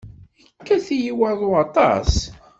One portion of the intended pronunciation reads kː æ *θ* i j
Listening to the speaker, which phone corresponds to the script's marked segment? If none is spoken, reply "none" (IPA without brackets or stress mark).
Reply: θ